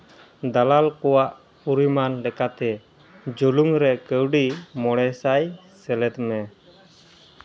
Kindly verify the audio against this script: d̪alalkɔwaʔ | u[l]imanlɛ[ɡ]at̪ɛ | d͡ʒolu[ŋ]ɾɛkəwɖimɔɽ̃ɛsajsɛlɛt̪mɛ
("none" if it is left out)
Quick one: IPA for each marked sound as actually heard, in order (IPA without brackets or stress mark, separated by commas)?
ɾ, k, ŋ